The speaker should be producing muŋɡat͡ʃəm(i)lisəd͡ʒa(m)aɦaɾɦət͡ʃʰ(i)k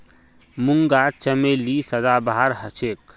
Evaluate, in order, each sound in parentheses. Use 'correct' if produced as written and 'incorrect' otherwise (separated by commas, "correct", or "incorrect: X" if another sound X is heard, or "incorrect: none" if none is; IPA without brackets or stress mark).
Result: incorrect: e, incorrect: b, incorrect: e